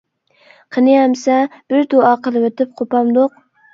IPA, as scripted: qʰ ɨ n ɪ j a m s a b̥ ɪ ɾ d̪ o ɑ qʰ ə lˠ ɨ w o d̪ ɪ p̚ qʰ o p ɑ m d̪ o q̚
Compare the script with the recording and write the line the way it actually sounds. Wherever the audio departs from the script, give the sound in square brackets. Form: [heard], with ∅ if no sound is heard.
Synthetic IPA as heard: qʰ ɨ n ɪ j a m s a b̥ ɪ ɾ d̪ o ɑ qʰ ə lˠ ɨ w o [t̪] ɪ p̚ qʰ o p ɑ m d̪ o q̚